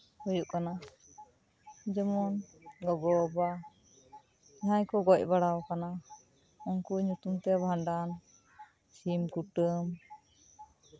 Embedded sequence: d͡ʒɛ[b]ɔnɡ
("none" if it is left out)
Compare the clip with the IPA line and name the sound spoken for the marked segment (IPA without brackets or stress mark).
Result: m